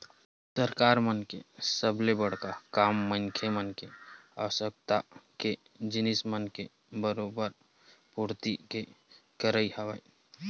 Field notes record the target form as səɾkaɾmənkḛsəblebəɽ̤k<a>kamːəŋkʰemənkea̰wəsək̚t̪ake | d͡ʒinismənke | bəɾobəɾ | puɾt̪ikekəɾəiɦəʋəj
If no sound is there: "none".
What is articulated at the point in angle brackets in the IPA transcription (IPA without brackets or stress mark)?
a